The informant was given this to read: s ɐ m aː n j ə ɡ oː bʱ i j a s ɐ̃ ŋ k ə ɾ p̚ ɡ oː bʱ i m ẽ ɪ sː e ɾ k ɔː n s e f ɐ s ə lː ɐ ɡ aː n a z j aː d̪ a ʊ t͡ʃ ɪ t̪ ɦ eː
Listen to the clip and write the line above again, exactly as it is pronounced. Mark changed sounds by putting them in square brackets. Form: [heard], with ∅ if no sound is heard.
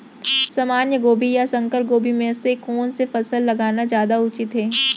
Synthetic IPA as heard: s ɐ m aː n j ə ɡ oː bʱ i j a s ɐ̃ ŋ k ə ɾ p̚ ɡ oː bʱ i m ẽ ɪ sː e [∅] k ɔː n s e f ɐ s ə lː ɐ ɡ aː n a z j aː d̪ a ʊ t͡ʃ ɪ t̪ ɦ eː